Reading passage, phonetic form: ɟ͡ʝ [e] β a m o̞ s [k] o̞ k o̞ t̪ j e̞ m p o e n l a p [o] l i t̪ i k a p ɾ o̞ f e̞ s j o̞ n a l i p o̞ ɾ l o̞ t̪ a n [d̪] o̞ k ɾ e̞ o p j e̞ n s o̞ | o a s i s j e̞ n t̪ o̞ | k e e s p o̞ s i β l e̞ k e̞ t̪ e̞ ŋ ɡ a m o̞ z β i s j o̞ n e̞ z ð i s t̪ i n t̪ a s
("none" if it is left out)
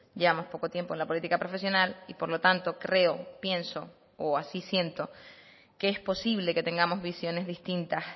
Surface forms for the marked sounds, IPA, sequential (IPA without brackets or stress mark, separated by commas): e, p, o, t̪